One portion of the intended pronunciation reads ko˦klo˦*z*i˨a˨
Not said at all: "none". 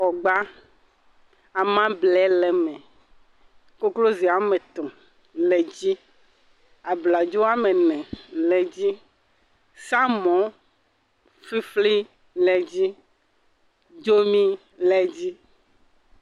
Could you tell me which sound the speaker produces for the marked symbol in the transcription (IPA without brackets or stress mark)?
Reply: z